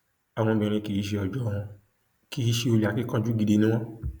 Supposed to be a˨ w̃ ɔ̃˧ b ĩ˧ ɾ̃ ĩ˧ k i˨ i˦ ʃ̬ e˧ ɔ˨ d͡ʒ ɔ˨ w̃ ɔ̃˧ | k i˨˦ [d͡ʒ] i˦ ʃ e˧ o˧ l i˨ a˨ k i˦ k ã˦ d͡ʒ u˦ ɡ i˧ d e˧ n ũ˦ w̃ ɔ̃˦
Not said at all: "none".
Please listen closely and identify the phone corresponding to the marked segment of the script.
none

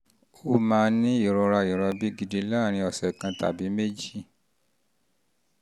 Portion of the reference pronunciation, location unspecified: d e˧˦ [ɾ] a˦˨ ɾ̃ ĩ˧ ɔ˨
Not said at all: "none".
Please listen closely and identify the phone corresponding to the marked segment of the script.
l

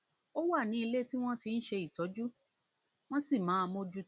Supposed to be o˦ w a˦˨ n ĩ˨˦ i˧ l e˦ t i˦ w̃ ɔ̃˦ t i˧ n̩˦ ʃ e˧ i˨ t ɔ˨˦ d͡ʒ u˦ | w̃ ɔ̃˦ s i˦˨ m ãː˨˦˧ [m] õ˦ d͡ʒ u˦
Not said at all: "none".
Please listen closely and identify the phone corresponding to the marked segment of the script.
m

